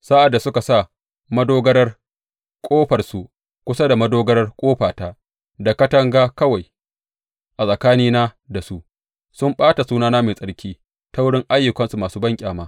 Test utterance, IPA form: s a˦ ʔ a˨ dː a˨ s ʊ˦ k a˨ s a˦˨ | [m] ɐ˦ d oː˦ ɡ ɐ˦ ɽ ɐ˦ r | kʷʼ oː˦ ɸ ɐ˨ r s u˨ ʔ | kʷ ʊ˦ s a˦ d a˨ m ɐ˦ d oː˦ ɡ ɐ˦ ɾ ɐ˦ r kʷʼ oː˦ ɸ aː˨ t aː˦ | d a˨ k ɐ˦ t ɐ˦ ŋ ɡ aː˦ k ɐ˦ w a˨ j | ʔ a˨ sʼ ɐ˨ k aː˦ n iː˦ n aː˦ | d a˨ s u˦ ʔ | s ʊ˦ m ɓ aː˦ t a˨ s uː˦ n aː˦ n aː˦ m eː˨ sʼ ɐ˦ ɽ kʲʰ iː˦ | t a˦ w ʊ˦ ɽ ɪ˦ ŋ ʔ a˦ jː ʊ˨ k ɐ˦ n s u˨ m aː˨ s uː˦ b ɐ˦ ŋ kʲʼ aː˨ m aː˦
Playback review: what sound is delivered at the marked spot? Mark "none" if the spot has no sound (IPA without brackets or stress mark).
m